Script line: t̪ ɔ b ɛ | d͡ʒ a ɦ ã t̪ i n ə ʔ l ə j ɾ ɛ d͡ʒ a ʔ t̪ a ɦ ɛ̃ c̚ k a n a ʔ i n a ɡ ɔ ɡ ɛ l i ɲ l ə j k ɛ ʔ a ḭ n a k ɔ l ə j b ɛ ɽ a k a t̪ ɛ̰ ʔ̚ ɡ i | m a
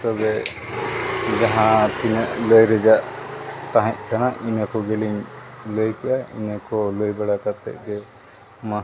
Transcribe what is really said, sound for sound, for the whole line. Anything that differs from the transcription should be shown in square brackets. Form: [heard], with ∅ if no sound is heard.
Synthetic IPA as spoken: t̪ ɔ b ɛ | d͡ʒ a ɦ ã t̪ i n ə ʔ l ə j ɾ ɛ d͡ʒ a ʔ t̪ a ɦ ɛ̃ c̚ k a n a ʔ i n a [k] ɔ ɡ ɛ l i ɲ l ə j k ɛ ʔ a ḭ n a k ɔ l ə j b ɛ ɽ a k a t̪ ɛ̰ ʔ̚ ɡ [ɛ] | m a